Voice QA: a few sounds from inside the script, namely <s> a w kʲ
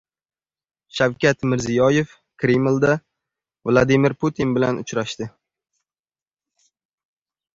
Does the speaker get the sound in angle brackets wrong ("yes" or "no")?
yes